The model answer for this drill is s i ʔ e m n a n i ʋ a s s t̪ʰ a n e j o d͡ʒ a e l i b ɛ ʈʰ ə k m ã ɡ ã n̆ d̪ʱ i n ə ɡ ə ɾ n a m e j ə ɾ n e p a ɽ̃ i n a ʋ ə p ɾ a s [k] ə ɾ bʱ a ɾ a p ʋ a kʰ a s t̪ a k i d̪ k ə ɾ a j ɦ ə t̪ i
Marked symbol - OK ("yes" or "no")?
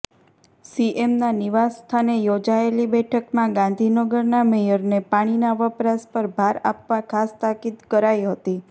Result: no